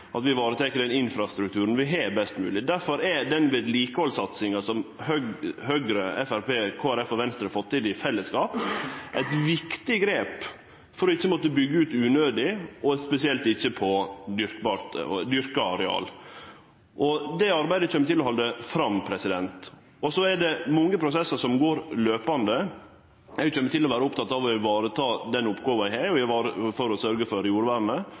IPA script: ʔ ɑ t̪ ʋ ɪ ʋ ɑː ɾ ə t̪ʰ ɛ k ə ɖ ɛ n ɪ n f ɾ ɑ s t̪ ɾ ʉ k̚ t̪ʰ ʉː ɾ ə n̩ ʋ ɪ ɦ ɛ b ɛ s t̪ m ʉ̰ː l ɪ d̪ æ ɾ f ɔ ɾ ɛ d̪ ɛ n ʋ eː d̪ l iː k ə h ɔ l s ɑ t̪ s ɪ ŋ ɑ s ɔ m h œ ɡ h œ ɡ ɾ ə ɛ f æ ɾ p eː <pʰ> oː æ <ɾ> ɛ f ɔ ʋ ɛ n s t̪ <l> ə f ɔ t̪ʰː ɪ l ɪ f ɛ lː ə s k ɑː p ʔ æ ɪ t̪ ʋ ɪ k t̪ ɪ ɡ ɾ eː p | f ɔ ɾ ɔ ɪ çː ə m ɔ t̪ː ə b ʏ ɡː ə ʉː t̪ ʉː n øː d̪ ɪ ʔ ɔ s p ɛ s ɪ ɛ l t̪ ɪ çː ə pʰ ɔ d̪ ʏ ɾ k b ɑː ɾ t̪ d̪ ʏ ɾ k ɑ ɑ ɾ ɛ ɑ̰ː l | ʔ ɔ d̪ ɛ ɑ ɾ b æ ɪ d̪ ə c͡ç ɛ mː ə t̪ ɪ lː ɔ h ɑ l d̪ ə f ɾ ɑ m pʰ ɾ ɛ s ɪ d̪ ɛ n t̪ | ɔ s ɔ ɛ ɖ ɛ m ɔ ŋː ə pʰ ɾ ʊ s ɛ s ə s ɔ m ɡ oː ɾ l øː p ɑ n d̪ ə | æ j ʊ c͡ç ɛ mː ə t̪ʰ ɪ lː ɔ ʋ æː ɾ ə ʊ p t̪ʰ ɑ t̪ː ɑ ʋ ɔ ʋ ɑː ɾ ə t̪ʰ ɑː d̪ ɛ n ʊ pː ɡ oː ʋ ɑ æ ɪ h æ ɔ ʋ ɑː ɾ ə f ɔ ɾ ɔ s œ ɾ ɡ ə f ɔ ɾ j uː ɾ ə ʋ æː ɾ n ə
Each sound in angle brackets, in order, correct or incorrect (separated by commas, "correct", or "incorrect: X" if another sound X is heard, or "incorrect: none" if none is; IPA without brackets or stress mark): incorrect: kʰ, correct, incorrect: ɾ